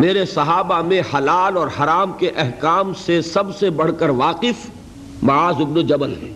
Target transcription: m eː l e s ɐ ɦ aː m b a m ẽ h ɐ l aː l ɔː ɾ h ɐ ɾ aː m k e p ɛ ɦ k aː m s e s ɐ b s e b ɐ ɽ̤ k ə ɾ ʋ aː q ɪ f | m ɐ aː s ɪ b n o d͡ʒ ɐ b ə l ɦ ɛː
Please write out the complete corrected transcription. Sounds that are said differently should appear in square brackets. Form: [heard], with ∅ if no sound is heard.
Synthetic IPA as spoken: m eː [ɾ] e s ɐ ɦ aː [∅] b a m ẽ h ɐ l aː l ɔː ɾ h ɐ ɾ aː m k e [ʔ] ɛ ɦ k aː m s e s ɐ b s e b ɐ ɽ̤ k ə ɾ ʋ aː q ɪ f | m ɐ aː [z] ɪ b n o d͡ʒ ɐ b ə l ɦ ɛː